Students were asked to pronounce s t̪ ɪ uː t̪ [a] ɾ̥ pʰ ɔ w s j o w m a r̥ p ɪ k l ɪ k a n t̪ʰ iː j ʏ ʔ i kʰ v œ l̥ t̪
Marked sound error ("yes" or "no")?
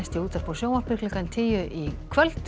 no